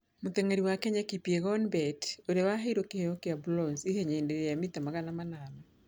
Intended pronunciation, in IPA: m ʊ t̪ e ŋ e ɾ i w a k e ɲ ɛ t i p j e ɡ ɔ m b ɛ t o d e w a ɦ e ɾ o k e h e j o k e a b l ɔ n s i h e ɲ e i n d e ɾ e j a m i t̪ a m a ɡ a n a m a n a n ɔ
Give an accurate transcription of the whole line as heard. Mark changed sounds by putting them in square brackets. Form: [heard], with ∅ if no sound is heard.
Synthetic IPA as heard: m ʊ t̪ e ŋ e ɾ i w a k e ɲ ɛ [k] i p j e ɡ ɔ [n] b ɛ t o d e w a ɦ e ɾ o k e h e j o k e a b l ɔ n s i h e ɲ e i n d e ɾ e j a m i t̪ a m a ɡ a n a m a n a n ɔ